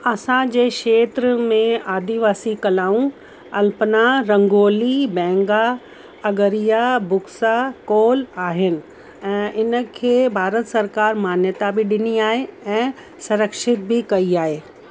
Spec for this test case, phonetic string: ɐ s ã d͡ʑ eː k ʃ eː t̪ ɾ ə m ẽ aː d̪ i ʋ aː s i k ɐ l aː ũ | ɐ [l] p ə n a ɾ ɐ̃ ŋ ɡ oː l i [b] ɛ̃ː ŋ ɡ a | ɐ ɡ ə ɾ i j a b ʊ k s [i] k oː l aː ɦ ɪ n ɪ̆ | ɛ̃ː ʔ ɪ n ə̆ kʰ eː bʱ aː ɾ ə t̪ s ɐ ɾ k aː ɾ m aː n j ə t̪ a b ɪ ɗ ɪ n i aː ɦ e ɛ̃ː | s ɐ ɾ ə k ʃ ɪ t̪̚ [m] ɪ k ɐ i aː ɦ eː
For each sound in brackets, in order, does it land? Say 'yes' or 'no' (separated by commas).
yes, yes, no, no